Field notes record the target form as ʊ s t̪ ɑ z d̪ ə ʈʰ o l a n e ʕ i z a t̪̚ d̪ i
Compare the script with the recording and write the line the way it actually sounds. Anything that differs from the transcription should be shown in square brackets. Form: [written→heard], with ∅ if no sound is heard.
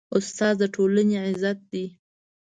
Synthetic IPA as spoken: ʊ s t̪ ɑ z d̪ ə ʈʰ o l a n e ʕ [i→ɪ] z a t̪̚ d̪ i